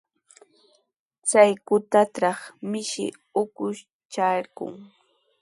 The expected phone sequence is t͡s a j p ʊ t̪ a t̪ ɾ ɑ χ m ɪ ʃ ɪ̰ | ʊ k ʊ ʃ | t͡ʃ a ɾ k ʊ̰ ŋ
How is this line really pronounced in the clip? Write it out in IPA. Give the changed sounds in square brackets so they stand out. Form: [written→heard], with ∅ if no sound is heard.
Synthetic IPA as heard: t͡s a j [p→k] ʊ t̪ a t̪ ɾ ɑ χ m ɪ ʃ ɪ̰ | ʊ k ʊ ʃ | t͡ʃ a ɾ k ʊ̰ ŋ